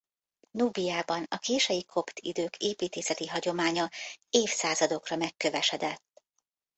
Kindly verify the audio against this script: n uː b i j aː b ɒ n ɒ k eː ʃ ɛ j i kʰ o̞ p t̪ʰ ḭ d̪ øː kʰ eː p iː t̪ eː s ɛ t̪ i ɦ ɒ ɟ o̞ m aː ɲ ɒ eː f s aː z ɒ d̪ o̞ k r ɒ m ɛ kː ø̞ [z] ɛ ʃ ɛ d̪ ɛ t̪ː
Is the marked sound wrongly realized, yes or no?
yes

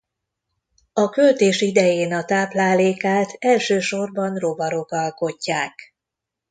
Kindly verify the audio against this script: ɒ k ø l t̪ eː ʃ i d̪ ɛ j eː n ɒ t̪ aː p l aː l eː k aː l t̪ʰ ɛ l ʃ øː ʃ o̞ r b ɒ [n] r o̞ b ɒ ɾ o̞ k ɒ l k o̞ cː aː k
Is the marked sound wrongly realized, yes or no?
no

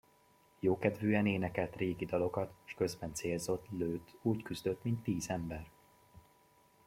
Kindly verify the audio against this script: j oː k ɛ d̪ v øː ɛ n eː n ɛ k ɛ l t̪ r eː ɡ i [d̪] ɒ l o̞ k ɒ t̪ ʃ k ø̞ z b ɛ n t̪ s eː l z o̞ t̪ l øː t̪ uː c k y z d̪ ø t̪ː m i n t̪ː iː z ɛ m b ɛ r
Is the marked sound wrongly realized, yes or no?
no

